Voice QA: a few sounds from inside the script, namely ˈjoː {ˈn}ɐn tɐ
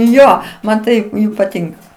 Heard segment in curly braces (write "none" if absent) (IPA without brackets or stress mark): m